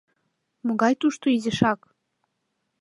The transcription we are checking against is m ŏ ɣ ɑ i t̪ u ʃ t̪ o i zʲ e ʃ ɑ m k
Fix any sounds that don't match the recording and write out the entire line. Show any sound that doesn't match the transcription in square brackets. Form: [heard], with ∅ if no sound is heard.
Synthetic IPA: m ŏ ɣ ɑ [j] t̪ u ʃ t̪ o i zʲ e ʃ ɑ [∅] k